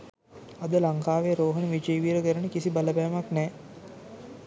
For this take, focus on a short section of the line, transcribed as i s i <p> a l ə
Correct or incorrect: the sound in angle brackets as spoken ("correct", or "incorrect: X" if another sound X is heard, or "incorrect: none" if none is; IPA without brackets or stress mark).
incorrect: b